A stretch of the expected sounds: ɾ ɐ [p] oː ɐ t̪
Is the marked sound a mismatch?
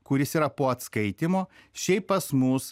no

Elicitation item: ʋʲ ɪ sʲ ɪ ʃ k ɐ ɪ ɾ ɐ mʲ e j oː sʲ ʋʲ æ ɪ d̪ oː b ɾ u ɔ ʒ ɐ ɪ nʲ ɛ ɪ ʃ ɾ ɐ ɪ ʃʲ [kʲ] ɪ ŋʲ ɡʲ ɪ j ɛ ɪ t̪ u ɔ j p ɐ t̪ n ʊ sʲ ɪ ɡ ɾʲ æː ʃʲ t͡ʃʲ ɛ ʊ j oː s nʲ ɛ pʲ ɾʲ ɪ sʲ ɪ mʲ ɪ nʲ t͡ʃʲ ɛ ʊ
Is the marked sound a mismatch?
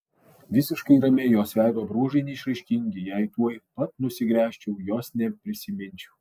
no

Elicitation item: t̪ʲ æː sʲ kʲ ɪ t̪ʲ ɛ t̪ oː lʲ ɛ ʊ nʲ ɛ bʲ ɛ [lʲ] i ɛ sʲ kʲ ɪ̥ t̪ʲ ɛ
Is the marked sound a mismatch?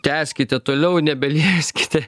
no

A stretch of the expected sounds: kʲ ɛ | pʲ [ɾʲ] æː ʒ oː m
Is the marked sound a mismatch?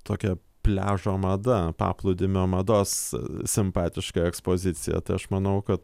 yes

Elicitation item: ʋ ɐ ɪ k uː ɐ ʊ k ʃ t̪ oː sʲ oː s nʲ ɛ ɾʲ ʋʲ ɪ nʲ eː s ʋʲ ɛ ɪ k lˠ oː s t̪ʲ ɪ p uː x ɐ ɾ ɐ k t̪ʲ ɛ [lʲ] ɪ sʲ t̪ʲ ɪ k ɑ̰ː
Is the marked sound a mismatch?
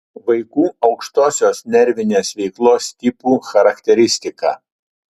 yes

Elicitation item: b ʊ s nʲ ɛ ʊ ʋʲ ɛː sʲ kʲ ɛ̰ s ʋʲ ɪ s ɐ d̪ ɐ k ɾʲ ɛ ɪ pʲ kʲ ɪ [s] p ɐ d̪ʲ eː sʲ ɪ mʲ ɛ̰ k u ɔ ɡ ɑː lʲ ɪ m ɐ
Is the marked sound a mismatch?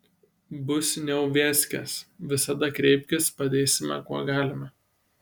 no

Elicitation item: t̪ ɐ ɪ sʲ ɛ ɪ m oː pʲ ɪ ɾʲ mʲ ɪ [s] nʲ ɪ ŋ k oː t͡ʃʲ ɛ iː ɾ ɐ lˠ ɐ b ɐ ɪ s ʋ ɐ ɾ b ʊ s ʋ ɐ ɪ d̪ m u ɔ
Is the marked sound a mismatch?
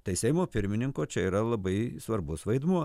yes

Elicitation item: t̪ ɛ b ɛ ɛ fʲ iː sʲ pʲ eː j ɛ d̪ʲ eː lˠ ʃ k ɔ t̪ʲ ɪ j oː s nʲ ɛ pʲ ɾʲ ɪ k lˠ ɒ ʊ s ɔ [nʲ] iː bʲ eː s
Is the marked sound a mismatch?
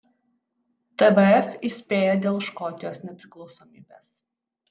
yes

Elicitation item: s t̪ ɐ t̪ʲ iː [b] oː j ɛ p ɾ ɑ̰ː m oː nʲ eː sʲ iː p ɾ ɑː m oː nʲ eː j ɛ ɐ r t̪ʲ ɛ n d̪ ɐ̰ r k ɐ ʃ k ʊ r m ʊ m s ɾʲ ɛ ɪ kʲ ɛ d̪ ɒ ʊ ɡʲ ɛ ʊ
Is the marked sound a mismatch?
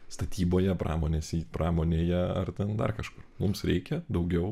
no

